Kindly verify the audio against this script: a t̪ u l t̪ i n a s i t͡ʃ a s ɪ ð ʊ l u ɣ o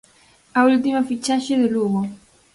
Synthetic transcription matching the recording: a u l t̪ i m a f i t͡ʃ a ʃ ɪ ð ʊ l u ɣ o